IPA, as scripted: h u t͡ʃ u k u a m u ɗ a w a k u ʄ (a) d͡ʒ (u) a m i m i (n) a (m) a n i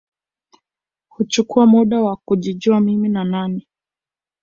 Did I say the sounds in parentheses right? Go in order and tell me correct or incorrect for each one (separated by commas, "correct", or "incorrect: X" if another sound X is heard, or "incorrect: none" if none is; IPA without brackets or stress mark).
incorrect: i, correct, correct, incorrect: n